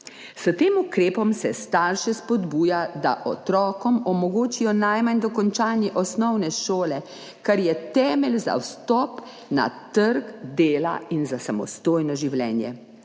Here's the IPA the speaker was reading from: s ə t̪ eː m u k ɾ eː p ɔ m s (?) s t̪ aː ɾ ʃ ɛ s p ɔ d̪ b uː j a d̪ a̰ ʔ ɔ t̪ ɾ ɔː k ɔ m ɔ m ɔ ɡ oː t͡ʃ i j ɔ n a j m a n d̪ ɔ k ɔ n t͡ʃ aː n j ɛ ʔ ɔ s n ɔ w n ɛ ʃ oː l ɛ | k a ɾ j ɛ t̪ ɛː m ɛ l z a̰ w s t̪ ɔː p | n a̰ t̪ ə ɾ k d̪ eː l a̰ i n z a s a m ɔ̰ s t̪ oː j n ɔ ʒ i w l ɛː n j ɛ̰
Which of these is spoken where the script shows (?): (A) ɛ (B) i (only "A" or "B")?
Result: A